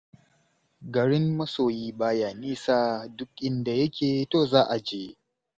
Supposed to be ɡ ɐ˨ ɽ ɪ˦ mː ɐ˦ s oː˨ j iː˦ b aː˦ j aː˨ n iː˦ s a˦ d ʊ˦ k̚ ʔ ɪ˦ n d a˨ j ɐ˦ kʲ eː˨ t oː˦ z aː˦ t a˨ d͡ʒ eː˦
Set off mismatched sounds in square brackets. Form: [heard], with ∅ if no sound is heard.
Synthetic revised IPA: ɡ ɐ˨ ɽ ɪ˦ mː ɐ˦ s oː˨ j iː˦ b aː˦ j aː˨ n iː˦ s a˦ d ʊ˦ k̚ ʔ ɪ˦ n d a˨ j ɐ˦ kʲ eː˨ t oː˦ z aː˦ [ʔ] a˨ d͡ʒ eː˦